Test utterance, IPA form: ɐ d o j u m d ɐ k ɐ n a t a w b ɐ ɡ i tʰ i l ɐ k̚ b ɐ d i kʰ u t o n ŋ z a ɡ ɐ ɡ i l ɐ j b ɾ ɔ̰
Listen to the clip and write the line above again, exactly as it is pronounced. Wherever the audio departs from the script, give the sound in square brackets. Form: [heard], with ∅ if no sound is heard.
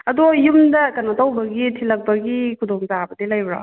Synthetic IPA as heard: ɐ d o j u m d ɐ k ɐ n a t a w b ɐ ɡ i tʰ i l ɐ k̚ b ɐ [ɡ] i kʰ u [d] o [∅] ŋ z a [b] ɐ [d] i l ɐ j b ɾ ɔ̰